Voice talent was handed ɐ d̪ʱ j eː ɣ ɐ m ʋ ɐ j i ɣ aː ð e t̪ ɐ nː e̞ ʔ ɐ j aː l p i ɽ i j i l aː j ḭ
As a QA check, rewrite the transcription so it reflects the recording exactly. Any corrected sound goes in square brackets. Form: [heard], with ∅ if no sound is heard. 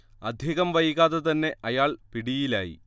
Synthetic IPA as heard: ɐ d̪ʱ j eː ɣ ɐ m ʋ ɐ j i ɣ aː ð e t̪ ɐ nː e̞ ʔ ɐ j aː [ɭ] p i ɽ i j i l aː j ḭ